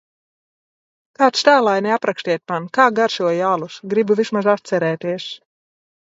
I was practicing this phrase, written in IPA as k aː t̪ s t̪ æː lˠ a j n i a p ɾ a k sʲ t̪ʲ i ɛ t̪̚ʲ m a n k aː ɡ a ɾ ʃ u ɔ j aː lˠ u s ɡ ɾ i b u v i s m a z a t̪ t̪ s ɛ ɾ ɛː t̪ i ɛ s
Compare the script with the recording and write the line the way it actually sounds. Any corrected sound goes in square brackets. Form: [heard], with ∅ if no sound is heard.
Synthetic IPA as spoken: k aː t̪ s t̪ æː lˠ a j n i a p ɾ a k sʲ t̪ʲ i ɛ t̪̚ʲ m a n k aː ɡ a ɾ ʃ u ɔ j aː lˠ u s ɡ ɾ i b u v i s m a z a t̪ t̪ s ɛ ɾ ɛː t̪ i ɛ s

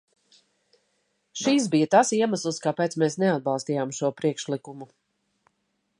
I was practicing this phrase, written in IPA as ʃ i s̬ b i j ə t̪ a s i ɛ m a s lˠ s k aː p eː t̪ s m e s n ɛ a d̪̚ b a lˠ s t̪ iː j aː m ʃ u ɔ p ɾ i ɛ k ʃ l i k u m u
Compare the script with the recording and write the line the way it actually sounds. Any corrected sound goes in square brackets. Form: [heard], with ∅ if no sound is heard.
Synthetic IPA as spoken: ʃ i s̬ b i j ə t̪ a s i ɛ m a s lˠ s k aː p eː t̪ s m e s n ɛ a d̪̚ b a lˠ s t̪ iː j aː m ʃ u ɔ p ɾ i ɛ k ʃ l i k u m u

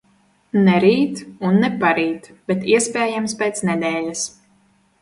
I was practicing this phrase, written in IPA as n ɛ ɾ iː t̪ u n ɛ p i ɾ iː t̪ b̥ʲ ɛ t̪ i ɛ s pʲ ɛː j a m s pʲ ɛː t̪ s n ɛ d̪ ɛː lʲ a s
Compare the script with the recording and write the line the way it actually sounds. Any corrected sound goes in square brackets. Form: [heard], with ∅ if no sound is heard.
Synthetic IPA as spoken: n ɛ ɾ iː t̪ u [nː] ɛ p [a] ɾ iː t̪ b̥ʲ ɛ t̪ i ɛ s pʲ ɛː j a m s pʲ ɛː t̪ s n ɛ d̪ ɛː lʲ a s

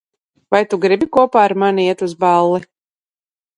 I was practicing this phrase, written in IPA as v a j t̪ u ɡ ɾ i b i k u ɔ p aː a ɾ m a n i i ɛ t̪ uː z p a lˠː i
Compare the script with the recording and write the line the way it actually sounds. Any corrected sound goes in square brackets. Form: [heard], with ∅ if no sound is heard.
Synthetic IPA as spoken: v a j t̪ u ɡ ɾ i b i k u ɔ p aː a ɾ m a n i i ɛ t̪ [u] z [b] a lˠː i

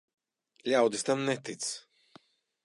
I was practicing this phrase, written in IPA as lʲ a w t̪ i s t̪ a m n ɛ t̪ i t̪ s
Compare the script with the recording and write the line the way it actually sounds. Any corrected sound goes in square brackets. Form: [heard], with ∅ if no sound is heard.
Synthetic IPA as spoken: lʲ a w [d̪] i s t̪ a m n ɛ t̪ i t̪ s

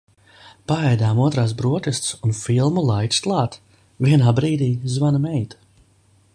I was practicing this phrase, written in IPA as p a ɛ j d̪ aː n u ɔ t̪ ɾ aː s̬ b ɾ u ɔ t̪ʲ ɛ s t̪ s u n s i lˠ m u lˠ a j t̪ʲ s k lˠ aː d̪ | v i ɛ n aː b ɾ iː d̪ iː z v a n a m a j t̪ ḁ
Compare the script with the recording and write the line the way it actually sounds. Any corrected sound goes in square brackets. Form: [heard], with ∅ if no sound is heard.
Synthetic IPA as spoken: p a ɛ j d̪ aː [m] u ɔ t̪ ɾ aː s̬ b ɾ u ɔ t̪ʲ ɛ s t̪ s u n [f] i lˠ m u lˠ a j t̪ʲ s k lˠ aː [t̪] | v i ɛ n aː b ɾ iː d̪ iː z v a n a m [ɛ] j t̪ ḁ

